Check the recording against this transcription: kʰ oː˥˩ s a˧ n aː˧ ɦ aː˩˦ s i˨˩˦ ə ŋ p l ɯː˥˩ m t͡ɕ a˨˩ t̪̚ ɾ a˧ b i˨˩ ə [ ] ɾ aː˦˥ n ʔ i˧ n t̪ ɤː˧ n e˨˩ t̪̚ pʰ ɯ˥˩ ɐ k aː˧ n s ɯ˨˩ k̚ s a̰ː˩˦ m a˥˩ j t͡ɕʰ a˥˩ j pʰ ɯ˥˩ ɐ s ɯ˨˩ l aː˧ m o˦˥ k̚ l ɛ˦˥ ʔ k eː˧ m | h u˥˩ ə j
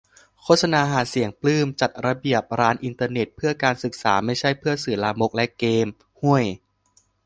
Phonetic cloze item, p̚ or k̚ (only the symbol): p̚